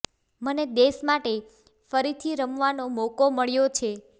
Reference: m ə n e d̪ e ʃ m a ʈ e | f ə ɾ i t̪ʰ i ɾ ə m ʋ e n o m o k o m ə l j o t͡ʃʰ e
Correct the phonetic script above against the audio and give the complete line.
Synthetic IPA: m ə n e d̪ e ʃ m a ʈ e | f ə ɾ i t̪ʰ i ɾ ə m ʋ a n o m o k o m ə ɭ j o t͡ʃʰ e